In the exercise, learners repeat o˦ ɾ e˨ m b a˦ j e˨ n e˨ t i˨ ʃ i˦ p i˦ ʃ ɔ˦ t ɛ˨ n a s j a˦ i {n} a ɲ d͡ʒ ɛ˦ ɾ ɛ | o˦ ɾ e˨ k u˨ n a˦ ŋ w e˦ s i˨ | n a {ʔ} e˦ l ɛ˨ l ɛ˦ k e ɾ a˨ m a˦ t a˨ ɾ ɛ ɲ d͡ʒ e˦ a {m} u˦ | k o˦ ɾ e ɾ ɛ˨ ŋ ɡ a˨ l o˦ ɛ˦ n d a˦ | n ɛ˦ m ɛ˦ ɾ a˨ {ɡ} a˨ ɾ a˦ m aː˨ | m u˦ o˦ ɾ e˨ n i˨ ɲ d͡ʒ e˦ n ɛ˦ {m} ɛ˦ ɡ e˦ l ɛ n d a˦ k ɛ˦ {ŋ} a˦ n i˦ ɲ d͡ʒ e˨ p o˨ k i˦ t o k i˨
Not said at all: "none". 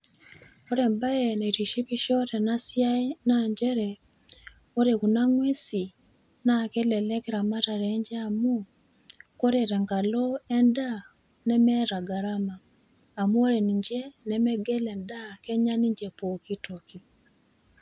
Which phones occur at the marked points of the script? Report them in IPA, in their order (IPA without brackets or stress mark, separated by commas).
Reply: n, k, m, ɡ, m, ɲ